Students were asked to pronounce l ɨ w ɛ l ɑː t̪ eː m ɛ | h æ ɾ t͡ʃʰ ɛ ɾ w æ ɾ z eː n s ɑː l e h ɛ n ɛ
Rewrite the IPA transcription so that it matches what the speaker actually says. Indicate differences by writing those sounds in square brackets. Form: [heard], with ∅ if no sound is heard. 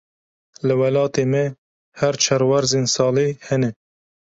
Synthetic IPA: l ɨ w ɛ l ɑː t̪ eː m ɛ | h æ ɾ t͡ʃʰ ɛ ɾ w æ ɾ z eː n s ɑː l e h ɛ n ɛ